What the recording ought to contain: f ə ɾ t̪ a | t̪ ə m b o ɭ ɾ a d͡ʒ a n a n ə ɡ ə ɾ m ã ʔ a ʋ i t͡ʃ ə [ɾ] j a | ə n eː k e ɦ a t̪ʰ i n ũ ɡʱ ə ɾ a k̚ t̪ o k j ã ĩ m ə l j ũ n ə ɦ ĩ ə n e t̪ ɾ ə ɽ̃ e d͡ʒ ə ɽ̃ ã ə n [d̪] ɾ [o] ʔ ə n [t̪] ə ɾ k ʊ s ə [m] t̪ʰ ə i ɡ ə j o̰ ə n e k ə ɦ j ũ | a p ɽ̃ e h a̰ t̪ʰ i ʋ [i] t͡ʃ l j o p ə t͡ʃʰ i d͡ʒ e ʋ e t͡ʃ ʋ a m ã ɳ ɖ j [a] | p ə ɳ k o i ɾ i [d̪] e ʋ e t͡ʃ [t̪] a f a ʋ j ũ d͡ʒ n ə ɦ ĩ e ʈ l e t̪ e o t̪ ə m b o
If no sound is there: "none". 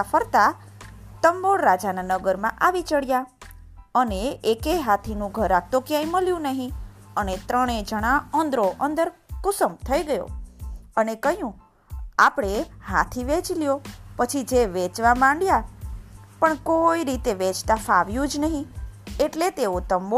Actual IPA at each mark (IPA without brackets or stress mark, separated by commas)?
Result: ɽ, d̪, o, d̪, m, e, a, t̪, t̪